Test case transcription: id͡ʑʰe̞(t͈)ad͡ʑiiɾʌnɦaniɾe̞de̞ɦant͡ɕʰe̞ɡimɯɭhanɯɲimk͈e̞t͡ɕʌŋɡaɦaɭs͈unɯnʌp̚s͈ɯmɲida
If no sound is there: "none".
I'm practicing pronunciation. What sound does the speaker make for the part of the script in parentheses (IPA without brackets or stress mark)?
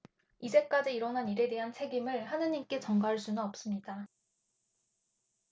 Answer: k͈